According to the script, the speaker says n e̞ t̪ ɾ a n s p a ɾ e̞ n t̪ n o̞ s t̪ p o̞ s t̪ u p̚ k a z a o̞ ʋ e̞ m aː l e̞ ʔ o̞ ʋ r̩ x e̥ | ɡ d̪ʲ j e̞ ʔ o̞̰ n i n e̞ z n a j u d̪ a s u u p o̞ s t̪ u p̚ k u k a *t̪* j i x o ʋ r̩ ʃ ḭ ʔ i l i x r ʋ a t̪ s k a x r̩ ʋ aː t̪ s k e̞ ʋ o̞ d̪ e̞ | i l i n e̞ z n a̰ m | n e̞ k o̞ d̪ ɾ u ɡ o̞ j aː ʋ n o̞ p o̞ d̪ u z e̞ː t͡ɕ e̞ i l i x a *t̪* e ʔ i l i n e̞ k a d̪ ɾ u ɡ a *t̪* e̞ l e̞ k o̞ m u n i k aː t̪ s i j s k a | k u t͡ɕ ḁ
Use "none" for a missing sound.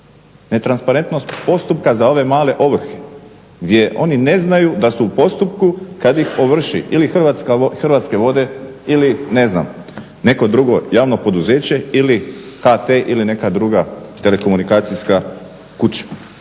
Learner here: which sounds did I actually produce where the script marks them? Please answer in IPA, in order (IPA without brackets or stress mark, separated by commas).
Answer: d̪, t̪, t̪